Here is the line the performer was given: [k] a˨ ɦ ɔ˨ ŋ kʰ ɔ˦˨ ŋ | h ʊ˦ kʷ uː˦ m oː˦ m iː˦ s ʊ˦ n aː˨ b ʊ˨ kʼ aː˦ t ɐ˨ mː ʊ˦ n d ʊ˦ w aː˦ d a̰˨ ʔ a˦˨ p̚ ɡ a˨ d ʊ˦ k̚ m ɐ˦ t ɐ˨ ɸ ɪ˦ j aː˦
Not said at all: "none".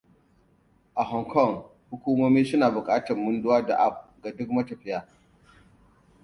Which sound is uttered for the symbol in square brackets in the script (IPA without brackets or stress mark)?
ʔ